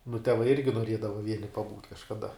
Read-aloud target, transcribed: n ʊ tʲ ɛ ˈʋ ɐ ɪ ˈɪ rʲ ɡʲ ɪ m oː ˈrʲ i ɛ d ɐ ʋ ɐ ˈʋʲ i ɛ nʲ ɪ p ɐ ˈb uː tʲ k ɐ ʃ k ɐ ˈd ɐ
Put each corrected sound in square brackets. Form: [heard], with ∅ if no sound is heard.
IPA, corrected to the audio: n ʊ tʲ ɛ ˈʋ ɐ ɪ ˈɪ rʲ ɡʲ ɪ [n] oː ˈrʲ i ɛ d ɐ ʋ ɐ ˈʋʲ i ɛ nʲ ɪ p ɐ ˈb uː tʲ k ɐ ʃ k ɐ ˈd ɐ